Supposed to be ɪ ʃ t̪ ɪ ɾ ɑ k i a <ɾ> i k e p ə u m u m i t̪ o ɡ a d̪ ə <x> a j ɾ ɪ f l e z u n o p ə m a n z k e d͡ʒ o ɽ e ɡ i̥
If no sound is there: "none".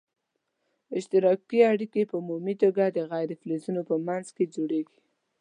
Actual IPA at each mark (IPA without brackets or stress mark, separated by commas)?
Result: ɽ, ɣ